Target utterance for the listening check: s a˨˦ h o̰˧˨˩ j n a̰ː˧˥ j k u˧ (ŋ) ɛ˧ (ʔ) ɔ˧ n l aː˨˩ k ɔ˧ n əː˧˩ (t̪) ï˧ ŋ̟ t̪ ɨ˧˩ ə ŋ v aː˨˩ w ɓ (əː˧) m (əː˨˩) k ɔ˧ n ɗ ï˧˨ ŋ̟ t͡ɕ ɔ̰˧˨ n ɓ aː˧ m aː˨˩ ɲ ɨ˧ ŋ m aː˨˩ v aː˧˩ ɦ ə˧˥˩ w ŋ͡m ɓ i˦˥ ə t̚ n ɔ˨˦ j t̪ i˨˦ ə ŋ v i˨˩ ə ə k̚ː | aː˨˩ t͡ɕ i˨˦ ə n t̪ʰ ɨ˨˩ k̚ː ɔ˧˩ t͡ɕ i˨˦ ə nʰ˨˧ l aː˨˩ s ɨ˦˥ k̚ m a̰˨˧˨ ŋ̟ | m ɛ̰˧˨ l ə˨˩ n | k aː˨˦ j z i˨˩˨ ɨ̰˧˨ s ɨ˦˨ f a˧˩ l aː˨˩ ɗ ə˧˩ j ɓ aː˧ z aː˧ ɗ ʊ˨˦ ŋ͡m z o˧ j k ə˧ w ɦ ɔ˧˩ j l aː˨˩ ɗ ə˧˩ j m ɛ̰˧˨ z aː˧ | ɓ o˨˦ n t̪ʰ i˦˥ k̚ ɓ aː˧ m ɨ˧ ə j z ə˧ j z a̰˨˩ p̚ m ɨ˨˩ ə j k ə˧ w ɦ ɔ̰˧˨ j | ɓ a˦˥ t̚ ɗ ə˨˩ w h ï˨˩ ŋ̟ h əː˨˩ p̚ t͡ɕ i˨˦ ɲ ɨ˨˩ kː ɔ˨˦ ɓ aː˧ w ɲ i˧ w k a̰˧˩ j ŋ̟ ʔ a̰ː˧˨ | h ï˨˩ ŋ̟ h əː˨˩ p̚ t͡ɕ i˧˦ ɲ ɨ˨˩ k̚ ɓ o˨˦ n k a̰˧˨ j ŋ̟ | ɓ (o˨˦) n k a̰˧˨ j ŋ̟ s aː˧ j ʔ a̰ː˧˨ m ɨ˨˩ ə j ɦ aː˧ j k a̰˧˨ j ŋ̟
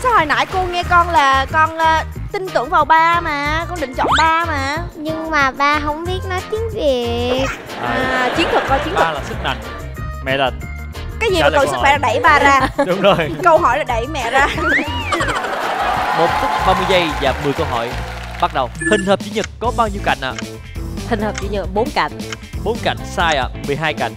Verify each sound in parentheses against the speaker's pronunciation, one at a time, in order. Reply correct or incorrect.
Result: correct, incorrect: k, correct, incorrect: aː˧, incorrect: aː˨˩, correct

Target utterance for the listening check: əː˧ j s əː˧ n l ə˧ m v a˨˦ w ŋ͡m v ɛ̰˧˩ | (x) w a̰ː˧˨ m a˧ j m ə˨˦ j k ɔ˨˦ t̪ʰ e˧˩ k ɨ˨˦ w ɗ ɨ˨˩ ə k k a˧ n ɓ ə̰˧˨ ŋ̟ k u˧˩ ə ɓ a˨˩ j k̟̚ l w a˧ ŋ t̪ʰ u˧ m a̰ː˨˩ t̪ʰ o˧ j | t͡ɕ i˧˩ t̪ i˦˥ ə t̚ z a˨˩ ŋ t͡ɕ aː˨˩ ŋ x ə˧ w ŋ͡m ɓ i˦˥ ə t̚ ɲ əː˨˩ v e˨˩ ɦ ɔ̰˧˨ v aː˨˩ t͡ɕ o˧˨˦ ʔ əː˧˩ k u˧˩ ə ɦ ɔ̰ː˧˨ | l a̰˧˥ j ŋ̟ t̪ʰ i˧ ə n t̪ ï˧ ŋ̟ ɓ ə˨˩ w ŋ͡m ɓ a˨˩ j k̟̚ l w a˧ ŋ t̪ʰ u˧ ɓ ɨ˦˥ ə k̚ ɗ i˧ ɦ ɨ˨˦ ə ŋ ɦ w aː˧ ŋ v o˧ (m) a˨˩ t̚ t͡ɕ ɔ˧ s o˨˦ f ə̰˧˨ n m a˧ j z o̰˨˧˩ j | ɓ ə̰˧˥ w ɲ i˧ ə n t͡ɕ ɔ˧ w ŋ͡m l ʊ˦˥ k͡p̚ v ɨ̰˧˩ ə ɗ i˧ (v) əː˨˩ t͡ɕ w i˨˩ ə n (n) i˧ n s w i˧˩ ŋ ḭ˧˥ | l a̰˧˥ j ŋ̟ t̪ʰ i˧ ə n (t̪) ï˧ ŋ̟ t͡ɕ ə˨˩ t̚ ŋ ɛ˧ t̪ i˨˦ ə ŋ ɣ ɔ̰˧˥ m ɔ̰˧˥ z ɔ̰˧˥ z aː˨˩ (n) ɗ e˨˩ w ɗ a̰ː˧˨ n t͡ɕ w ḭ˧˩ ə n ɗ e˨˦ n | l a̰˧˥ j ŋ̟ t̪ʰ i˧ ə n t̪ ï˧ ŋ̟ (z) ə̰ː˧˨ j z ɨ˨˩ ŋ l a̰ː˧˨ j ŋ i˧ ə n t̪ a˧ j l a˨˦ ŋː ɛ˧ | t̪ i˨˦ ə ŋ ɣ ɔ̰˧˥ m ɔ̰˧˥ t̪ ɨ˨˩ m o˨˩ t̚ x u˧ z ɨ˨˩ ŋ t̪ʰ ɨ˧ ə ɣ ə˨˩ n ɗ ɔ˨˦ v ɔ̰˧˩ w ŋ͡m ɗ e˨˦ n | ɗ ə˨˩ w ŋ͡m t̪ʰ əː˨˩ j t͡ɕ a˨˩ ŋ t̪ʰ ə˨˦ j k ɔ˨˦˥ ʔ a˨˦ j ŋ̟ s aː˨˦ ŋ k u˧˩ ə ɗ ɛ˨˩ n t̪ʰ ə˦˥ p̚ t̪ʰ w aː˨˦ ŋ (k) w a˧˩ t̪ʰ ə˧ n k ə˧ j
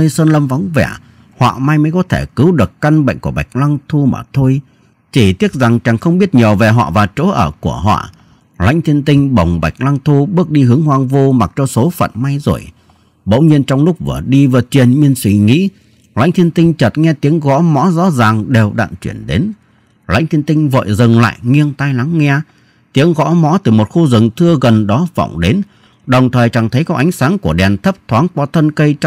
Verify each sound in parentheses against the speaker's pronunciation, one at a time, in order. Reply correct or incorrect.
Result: incorrect: h, correct, correct, incorrect: ɲ, correct, incorrect: ŋ, incorrect: v, correct

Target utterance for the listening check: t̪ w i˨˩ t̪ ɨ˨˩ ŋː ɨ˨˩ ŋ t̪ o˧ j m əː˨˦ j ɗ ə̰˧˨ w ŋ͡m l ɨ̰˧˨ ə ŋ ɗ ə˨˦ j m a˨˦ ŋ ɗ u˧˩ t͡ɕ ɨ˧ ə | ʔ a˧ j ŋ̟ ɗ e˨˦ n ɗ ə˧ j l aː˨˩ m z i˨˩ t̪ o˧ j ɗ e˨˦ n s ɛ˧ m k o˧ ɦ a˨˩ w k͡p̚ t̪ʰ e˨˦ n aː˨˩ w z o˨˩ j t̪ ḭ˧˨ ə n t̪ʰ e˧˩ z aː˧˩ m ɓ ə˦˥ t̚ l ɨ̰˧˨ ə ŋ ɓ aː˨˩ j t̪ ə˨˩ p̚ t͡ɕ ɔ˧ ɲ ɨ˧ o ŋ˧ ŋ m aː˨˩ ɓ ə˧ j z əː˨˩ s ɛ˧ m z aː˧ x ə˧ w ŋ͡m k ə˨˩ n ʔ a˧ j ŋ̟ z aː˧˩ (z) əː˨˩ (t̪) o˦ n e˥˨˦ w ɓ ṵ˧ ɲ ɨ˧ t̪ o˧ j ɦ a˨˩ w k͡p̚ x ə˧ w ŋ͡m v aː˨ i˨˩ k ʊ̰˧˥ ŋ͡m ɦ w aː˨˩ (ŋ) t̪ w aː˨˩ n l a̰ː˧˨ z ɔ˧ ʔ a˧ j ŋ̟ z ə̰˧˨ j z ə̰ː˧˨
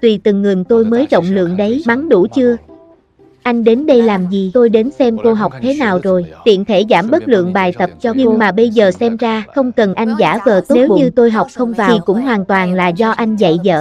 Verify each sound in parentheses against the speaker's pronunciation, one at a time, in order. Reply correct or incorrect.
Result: incorrect: v, correct, incorrect: n

